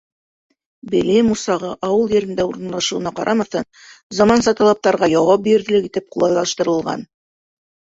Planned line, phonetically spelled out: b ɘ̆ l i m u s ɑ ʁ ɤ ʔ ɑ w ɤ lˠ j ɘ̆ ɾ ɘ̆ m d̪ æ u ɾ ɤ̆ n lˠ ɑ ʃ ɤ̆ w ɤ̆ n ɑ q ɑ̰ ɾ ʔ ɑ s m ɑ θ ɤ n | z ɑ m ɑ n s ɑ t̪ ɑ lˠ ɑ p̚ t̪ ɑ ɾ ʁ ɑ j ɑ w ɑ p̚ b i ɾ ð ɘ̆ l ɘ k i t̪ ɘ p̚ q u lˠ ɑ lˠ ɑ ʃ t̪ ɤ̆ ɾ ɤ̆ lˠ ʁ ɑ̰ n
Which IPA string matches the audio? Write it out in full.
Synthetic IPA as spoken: b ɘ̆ l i m u s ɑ ʁ ɤ ʔ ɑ w ɤ lˠ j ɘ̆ ɾ ɘ̆ n d̪ æ u ɾ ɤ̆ n lˠ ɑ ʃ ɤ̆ w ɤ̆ n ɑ q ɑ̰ ɾ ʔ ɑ m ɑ θ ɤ n | z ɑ m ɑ n s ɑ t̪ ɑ lˠ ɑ p̚ t̪ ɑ ɾ ʁ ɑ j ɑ w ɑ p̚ b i ɾ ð ɘ̆ l ɘ k i t̪ ɘ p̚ q u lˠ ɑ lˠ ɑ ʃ t̪ ɤ̆ ɾ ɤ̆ lˠ ʁ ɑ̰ n